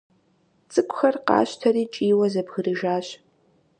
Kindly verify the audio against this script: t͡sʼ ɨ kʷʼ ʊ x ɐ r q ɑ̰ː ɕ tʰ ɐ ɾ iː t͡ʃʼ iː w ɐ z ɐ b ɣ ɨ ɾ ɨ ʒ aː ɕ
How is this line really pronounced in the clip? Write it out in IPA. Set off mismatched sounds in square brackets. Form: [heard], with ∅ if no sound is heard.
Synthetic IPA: t͡sʼ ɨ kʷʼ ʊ x ɐ r q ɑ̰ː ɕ tʰ ɐ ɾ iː t͡ʃʼ iː w ɐ z ɐ b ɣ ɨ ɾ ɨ ʒ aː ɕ